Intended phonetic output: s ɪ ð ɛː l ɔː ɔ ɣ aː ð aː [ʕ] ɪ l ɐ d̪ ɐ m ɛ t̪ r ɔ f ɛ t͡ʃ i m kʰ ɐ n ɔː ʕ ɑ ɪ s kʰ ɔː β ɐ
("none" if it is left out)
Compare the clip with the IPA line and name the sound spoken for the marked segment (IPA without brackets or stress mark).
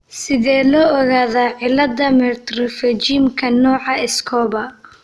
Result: ʕ